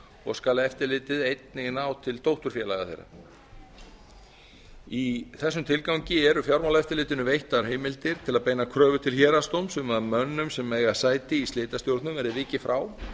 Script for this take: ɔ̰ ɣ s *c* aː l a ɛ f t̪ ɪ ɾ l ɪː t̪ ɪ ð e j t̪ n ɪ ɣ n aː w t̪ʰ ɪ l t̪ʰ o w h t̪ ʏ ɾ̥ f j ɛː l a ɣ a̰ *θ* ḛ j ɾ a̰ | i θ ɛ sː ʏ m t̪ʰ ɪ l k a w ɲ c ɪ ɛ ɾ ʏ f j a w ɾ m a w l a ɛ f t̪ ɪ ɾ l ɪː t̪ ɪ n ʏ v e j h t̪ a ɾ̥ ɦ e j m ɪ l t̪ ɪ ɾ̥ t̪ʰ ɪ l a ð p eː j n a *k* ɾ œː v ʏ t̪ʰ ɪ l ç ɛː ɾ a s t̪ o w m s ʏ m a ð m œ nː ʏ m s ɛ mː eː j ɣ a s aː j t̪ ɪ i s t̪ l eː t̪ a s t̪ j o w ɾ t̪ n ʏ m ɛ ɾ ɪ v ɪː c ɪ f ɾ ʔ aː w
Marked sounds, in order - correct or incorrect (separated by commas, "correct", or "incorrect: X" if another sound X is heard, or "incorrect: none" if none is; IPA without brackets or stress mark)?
incorrect: k, correct, incorrect: kʰ